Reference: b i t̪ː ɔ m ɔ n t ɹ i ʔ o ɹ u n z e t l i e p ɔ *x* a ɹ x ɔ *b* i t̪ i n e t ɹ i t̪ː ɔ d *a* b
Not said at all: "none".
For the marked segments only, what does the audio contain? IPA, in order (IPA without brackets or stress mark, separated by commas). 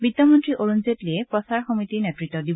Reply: s, m, i